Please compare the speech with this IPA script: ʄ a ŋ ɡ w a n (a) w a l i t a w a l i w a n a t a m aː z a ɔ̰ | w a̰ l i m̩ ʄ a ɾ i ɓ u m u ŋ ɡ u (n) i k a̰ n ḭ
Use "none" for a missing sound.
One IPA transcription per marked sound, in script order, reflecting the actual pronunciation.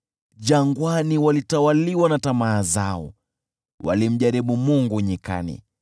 i, ɲ

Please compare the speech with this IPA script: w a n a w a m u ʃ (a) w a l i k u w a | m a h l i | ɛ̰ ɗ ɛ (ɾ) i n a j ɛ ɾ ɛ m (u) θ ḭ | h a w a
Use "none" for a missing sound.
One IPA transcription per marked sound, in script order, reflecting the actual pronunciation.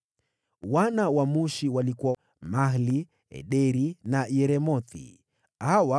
i, ɾ, ɔ

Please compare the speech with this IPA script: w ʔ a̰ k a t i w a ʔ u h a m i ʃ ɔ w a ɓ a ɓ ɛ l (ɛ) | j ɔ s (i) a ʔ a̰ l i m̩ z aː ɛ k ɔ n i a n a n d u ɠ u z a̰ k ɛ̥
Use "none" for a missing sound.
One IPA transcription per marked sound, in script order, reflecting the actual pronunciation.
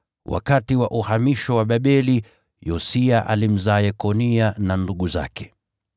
i, i

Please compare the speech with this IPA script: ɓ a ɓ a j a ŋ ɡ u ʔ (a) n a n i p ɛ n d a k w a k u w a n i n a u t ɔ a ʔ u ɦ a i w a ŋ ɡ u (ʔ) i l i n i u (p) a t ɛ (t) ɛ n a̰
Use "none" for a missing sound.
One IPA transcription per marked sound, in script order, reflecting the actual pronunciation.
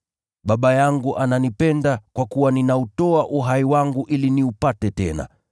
a, ʔ, p, t

